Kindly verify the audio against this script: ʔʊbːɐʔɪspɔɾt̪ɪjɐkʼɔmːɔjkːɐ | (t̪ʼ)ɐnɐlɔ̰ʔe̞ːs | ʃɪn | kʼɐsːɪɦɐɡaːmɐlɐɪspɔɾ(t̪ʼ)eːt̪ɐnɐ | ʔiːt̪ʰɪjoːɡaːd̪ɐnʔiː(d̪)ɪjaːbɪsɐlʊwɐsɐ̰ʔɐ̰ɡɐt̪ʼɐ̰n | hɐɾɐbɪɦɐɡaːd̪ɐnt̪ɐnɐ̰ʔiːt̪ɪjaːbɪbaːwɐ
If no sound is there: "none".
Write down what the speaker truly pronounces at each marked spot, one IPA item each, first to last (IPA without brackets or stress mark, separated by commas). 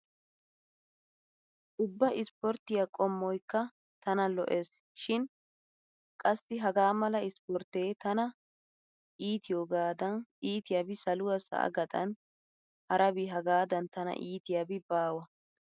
t̪, t̪, t̪